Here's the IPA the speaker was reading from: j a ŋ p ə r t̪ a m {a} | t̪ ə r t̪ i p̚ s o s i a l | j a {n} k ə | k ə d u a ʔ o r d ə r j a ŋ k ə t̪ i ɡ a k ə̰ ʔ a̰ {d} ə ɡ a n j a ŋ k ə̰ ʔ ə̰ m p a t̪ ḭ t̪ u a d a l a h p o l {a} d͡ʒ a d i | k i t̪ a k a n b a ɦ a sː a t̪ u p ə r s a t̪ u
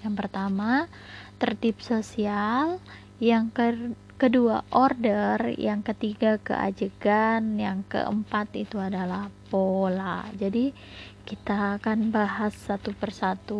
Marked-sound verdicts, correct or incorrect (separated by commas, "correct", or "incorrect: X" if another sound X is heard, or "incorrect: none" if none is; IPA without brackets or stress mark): correct, incorrect: ŋ, incorrect: d͡ʒ, correct